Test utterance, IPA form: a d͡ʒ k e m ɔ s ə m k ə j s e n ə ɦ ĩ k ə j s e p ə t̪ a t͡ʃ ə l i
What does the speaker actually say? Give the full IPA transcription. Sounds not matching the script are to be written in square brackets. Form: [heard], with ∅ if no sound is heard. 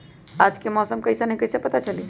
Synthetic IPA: a d͡ʒ k e m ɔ s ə m k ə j s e n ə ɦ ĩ k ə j s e p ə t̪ a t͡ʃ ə l i